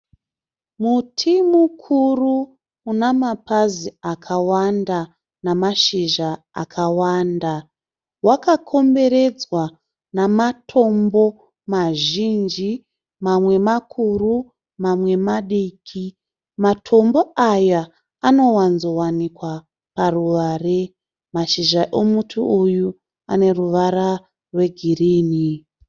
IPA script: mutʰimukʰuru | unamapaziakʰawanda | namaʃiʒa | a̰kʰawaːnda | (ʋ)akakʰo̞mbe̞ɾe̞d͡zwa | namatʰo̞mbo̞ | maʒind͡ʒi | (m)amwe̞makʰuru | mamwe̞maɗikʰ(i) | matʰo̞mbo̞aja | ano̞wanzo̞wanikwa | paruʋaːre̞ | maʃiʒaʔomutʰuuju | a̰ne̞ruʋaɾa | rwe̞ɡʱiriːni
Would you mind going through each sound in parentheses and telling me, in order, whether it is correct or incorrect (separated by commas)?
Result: incorrect, correct, correct